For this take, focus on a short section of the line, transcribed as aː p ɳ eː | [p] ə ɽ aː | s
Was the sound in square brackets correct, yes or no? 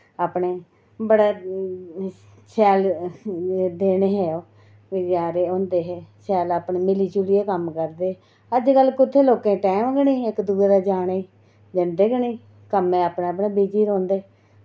no